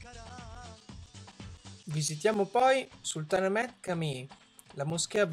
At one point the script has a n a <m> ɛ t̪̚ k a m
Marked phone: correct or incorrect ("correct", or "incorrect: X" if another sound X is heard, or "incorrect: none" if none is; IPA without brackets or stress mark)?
correct